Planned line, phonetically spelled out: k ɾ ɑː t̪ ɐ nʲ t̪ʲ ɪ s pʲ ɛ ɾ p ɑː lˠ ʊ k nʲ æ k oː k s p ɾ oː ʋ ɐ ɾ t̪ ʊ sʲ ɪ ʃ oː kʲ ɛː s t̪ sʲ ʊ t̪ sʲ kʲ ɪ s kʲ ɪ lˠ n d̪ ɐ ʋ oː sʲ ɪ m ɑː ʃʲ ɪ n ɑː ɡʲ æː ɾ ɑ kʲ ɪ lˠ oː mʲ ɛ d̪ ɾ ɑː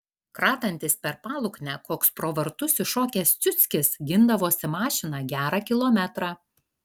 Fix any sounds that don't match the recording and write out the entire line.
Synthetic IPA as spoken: k ɾ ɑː t̪ ɐ nʲ t̪ʲ ɪ s pʲ ɛ ɾ p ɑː lˠ ʊ k nʲ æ k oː k s p ɾ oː ʋ ɐ ɾ t̪ ʊ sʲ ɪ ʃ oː kʲ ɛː s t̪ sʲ ʊ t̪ sʲ kʲ ɪ s ɡʲ ɪ n d̪ ɐ ʋ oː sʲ ɪ m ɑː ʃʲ ɪ n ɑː ɡʲ æː ɾ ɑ kʲ ɪ lˠ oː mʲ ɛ t̪ ɾ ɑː